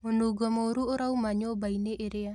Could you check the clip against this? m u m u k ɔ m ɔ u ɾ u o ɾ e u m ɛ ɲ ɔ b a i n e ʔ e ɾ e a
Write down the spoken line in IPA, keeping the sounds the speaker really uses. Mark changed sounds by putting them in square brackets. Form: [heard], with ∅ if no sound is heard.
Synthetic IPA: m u [n] u [ɡ] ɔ m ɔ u ɾ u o ɾ [a] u m [a] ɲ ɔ b a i n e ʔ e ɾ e a